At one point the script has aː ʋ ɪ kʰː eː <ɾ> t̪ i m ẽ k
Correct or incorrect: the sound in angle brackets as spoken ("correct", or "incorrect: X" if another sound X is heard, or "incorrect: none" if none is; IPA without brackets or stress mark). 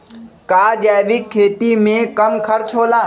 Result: incorrect: none